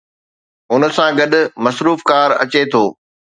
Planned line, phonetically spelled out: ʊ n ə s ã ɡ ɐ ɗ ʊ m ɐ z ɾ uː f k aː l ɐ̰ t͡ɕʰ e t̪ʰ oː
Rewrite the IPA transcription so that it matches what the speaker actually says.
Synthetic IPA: ʊ n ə s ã ɡ ɐ ɗ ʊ m ɐ s ɾ uː f k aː ɾ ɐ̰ t͡ɕ e t̪ʰ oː